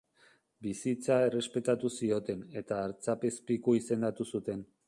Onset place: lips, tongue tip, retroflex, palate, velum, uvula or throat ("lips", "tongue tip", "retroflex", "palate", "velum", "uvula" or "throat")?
lips